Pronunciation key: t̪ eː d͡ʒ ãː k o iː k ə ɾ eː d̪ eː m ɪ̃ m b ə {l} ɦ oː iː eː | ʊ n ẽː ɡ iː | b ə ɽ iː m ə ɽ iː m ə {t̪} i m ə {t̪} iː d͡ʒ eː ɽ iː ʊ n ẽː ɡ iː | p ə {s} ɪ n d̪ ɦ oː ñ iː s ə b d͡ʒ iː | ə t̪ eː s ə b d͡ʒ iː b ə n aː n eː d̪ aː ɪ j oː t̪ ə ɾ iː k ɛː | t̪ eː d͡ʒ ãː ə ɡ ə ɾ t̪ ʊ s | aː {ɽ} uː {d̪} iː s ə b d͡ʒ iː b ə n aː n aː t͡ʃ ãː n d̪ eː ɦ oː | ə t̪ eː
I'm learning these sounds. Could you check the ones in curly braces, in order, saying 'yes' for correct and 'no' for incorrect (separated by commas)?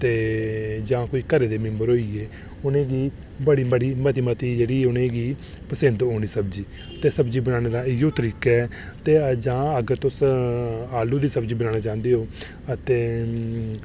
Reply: no, yes, yes, yes, no, yes